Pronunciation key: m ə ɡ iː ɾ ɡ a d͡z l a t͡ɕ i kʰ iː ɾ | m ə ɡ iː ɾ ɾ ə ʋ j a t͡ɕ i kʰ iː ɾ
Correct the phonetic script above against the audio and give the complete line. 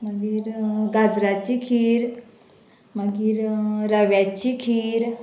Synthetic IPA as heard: m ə ɡ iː ɾ ɡ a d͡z ɾ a t͡ɕ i kʰ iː ɾ | m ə ɡ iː ɾ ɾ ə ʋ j a t͡ɕ i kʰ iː ɾ